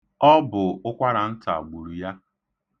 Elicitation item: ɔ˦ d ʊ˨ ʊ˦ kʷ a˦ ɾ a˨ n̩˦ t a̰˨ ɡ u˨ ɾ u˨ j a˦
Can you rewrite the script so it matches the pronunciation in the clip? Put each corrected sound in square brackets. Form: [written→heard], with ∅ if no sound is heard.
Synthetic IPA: ɔ˦ [d→b] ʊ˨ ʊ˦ kʷ a˦ ɾ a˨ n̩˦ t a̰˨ [ɡ→ɡ͡b] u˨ ɾ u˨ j a˦